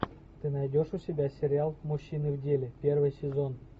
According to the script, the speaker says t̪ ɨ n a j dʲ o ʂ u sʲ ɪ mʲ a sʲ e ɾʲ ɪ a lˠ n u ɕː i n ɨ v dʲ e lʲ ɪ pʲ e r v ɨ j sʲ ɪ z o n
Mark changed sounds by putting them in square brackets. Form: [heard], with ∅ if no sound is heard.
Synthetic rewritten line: t̪ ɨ n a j dʲ o ʂ u sʲ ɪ [bʲ] a sʲ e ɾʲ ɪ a lˠ [m] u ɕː i n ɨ v dʲ e lʲ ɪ pʲ e r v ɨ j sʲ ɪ z o n